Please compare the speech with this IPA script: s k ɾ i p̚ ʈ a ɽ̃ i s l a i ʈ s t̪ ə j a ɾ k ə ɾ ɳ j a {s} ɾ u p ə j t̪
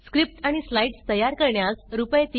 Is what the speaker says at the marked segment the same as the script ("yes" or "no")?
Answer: yes